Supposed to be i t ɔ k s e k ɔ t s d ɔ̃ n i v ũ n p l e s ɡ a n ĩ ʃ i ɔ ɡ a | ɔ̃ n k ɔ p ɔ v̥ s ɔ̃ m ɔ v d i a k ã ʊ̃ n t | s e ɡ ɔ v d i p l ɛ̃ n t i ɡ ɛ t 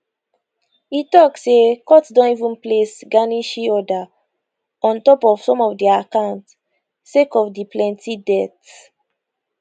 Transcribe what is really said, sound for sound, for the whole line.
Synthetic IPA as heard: i t ɔ k s e k ɔ t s d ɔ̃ n i v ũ n p l e s ɡ a n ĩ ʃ i ɔ d a | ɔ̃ n t ɔ p ɔ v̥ s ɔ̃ m ɔ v d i a k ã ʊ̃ n t | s e k ɔ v d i p l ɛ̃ n t i d ɛ t